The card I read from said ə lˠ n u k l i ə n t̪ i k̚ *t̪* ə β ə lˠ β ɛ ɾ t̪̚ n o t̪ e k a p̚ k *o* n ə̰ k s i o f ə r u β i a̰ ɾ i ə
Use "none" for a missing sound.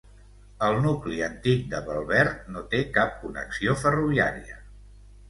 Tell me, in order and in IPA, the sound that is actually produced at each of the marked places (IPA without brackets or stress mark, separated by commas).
d̪, u